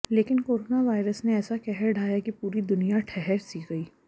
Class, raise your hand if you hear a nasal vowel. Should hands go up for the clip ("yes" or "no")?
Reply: no